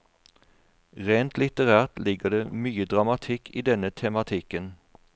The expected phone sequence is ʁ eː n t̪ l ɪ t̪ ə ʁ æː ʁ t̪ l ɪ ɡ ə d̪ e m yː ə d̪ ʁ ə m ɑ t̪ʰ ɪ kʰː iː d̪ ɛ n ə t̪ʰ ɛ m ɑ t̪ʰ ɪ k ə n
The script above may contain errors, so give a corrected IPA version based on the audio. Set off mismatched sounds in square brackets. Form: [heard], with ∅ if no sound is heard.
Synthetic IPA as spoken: ʁ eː n t̪ l ɪ t̪ ə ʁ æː ʁ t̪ l ɪ ɡ ə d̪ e m yː ə d̪ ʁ [ɑ] m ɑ t̪ʰ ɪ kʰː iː d̪ ɛ n ə t̪ʰ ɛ m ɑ t̪ʰ ɪ k ə n